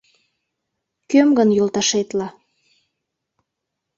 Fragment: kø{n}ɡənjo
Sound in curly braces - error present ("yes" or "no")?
yes